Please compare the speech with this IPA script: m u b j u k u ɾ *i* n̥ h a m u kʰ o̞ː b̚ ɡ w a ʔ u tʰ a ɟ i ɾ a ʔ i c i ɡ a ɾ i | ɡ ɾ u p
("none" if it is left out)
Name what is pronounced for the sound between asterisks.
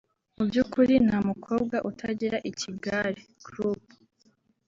i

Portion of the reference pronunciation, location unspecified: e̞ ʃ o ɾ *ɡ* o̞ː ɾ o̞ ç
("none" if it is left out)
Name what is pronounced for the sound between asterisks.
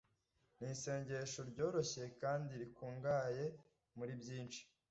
ɟ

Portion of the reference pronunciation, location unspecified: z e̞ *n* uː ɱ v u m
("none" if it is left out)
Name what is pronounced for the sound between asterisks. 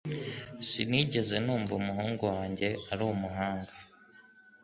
n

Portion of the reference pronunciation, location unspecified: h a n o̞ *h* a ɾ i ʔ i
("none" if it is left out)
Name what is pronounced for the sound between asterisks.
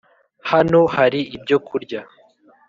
h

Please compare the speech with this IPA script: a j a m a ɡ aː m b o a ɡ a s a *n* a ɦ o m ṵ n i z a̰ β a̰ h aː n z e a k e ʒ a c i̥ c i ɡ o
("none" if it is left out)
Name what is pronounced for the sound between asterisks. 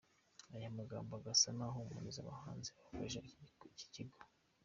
n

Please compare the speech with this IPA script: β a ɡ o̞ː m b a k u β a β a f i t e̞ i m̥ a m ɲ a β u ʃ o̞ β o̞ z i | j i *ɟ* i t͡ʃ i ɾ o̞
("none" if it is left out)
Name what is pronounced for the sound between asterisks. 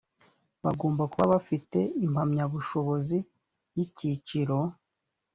c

